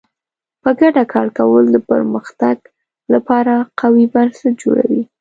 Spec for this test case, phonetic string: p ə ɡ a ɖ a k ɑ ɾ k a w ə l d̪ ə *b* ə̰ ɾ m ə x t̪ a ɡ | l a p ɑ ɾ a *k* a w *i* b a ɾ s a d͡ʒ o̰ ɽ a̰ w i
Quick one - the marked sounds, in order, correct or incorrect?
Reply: incorrect, incorrect, correct

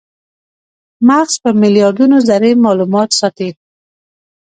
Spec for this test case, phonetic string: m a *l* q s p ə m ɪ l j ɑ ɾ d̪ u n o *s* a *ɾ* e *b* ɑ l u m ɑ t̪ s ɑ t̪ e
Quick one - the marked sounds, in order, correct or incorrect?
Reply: incorrect, incorrect, correct, incorrect

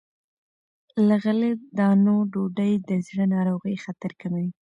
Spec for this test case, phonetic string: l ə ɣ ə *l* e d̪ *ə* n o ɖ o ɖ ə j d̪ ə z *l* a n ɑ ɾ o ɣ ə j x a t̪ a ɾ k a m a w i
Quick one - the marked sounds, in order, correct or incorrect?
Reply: correct, incorrect, incorrect

